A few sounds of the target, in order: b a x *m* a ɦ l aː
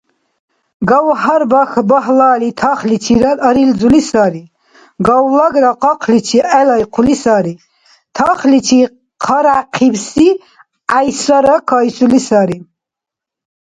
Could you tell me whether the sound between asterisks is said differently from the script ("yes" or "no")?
yes